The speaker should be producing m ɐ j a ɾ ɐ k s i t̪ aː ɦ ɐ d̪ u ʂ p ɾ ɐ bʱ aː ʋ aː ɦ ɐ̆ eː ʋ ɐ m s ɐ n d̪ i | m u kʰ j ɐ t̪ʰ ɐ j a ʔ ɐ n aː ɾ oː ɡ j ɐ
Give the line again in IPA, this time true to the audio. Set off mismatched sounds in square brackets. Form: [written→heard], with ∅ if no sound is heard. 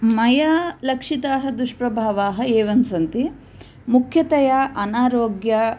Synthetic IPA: m ɐ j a [ɾ→l] ɐ k [s→ʂ] i t̪ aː ɦ ɐ d̪ u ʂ p ɾ ɐ bʱ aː ʋ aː ɦ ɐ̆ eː ʋ ɐ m s ɐ n [d̪→t̪] i | m u kʰ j ɐ [t̪ʰ→t̪] ɐ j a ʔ ɐ n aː ɾ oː ɡ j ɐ